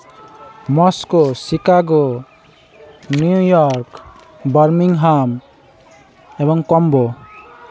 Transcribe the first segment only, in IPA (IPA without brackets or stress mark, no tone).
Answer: m